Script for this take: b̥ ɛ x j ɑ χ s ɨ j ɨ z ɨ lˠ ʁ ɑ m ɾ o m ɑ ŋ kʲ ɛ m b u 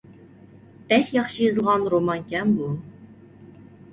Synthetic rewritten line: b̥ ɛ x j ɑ χ ʃ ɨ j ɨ z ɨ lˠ ʁ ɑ n ɾ o m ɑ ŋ kʲ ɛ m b u